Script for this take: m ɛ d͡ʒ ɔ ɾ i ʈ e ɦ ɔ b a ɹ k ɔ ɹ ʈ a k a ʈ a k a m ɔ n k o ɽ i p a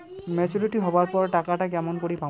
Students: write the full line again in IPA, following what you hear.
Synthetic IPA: m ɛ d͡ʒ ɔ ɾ i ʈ i ɦ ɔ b a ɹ p ɔ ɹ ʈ a k a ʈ a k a m ɔ n k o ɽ i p a